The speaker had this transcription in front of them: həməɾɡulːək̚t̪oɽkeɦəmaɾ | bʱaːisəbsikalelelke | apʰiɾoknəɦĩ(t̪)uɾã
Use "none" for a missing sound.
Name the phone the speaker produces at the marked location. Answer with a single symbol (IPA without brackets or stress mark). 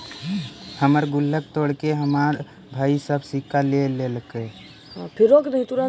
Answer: t̪